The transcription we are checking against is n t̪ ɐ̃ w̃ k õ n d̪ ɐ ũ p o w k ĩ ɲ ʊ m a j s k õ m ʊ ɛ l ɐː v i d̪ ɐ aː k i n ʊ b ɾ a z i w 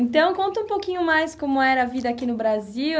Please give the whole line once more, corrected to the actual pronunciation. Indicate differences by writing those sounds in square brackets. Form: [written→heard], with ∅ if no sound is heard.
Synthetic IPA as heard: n t̪ ɐ̃ w̃ k õ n [d̪→t̪] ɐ ũ p o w k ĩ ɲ ʊ m a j s k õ m ʊ ɛ [l→ɾ] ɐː v i d̪ ɐ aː k i n ʊ b ɾ a z i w